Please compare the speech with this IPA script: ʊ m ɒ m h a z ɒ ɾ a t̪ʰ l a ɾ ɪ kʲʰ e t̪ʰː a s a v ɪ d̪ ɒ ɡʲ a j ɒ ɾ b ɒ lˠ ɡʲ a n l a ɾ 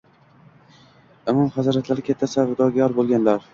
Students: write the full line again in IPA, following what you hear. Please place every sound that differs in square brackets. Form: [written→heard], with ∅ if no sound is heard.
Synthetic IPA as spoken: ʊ m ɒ m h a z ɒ ɾ a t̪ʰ l a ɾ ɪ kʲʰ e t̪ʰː a s a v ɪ d̪ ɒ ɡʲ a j ɒ ɾ b [ɒ→o] lˠ ɡʲ a n l a ɾ